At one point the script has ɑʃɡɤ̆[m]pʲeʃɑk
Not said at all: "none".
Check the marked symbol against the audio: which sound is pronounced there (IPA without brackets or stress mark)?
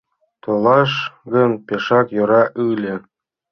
n